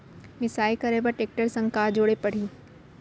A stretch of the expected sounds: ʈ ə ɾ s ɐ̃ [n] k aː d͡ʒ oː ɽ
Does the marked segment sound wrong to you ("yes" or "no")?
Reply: yes